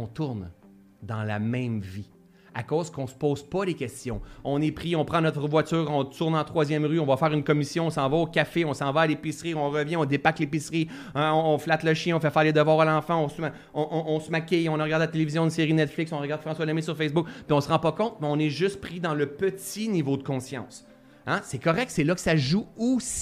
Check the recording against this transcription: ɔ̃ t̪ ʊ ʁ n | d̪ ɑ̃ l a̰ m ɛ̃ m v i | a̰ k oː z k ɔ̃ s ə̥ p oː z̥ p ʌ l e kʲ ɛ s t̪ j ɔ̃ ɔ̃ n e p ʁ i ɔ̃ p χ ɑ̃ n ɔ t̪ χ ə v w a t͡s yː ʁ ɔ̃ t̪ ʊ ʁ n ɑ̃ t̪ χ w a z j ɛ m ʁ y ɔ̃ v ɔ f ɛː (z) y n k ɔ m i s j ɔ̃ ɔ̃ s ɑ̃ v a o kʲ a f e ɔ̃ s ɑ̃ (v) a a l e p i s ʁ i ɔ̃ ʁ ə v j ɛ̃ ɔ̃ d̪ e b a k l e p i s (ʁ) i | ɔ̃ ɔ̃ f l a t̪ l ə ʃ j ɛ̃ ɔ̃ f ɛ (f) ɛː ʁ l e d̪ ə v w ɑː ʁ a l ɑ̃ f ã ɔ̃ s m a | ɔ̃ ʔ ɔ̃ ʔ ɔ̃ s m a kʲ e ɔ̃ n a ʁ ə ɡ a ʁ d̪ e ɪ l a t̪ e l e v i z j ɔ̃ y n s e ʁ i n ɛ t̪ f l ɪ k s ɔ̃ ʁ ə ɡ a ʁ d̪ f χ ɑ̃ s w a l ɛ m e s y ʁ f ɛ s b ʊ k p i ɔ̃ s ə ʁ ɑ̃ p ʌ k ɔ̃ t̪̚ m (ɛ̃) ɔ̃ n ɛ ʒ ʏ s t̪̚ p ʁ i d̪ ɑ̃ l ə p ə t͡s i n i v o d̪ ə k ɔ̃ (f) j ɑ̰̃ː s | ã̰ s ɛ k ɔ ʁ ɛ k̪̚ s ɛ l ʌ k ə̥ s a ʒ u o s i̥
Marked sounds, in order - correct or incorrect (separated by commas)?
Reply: incorrect, correct, correct, correct, incorrect, incorrect